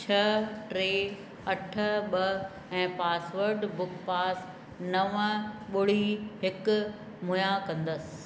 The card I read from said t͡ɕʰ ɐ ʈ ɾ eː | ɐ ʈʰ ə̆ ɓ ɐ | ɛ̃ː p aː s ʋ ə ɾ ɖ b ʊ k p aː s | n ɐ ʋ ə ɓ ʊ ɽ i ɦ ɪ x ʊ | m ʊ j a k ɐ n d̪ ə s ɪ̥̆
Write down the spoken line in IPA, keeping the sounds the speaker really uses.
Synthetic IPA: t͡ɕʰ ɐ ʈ ɾ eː | ɐ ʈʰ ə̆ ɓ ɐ | ɛ̃ː p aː s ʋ ə ɾ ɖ b ʊ k p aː s | n ɐ ʋ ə ɓ ʊ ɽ i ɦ ɪ k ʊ | m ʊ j a k ɐ̃ n d̪ ə s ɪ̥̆